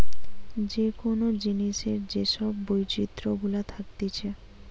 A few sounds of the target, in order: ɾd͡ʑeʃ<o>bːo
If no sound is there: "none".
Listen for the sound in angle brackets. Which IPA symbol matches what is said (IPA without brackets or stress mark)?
ɔ